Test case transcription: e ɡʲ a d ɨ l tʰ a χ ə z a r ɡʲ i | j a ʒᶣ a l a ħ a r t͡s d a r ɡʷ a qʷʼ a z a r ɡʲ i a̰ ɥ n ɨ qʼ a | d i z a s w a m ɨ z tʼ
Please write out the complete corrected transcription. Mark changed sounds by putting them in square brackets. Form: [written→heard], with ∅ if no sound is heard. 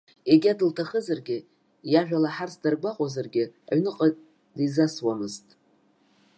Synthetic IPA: e ɡʲ a d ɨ l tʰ a χ ə z a r ɡʲ [i→ɪ] | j a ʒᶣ a l a ħ a r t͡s d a r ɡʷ a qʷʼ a z a r ɡʲ [i→ɪ] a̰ ɥ n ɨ qʼ a | d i z a s w a m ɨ z tʼ